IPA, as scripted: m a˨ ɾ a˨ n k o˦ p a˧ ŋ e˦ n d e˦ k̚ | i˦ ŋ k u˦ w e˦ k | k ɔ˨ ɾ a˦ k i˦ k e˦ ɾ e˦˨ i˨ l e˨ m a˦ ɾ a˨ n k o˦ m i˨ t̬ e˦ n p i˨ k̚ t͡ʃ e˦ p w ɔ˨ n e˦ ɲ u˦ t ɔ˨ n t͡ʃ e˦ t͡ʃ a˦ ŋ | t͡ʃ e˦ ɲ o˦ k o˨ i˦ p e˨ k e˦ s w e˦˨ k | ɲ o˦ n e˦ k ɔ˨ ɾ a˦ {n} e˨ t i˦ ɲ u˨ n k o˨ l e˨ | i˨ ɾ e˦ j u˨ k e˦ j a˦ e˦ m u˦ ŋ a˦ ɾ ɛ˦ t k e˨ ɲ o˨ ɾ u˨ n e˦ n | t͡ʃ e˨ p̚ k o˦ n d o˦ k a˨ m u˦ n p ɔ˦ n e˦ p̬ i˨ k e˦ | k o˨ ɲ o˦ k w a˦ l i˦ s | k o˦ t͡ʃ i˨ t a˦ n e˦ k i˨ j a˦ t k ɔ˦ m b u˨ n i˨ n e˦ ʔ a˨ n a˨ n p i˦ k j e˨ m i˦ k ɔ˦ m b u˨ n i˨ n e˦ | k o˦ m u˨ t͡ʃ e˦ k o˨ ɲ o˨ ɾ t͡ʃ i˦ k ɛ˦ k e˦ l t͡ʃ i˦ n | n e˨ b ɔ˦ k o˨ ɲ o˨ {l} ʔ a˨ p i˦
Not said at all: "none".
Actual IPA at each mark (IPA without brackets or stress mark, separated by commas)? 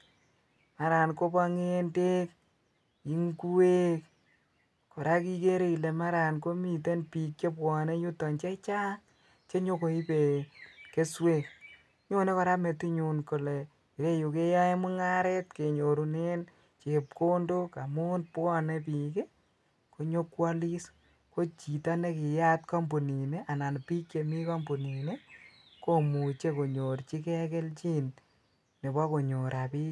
m, ɾ